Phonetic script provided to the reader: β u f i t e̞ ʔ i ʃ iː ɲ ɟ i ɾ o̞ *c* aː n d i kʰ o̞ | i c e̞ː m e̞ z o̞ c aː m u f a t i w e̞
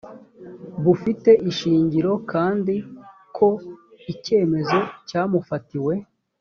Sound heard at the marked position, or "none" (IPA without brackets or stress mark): k